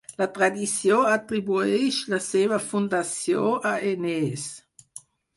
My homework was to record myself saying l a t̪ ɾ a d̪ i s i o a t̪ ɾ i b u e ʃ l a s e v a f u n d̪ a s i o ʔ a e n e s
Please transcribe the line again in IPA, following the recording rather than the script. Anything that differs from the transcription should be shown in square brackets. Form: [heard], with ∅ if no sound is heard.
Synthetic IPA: l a t̪ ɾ a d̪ i s [j] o a t̪ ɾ i b u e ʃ l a s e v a f u n d̪ a s [j] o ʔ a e n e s